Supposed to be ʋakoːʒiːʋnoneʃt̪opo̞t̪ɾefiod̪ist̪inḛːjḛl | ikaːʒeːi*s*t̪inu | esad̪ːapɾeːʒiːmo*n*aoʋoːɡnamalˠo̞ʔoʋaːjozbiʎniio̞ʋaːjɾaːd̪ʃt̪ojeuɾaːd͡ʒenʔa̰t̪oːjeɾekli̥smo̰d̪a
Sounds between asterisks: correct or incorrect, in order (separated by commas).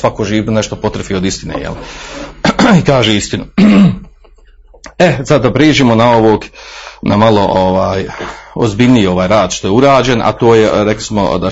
correct, correct